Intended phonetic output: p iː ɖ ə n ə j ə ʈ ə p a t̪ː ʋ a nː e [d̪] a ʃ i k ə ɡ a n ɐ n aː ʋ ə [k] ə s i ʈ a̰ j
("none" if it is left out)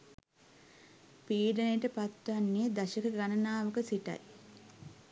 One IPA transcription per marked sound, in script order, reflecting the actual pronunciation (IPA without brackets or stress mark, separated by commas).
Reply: d̪, k